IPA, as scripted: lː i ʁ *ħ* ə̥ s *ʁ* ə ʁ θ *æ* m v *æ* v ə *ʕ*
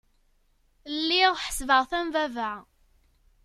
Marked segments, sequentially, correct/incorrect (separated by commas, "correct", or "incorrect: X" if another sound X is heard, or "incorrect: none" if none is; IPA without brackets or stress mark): correct, incorrect: v, correct, correct, correct